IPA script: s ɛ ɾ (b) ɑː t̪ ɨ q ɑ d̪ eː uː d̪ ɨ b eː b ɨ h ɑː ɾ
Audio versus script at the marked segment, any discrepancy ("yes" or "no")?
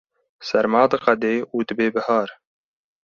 yes